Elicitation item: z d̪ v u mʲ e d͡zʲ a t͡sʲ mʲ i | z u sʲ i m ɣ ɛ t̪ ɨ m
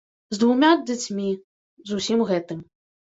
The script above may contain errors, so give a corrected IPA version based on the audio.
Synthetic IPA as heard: z d̪ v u mʲ a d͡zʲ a t͡sʲ mʲ i | z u sʲ i m ɣ ɛ t̪ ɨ m